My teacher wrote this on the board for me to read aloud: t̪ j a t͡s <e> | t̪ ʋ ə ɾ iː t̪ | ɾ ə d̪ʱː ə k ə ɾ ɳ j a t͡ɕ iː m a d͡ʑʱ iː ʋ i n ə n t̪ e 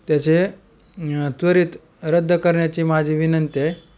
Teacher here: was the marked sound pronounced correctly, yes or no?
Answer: yes